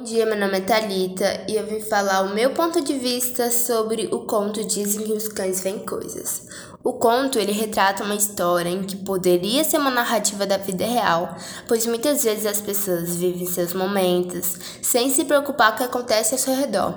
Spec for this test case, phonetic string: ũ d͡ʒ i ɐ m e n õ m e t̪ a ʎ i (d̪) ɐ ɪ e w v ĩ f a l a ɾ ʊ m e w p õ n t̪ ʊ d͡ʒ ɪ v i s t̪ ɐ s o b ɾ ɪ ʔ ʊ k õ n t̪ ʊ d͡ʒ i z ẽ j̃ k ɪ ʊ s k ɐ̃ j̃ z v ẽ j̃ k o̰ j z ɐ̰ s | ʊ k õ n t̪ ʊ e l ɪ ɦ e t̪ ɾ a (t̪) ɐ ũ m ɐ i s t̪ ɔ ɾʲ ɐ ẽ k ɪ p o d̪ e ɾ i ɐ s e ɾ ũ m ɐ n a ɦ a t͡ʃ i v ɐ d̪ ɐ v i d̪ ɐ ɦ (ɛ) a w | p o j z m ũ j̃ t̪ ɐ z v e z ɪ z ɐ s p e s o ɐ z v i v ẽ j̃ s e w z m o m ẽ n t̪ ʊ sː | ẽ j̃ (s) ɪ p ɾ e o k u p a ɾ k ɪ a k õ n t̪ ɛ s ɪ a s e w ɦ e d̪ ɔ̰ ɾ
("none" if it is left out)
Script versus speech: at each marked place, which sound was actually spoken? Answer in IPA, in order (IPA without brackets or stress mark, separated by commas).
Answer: t̪, t̪, e, s